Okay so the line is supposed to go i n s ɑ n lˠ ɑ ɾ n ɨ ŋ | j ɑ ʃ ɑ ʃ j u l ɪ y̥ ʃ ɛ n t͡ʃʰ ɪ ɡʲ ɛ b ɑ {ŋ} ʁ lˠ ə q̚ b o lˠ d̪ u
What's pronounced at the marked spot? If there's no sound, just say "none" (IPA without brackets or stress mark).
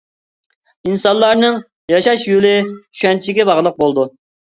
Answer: none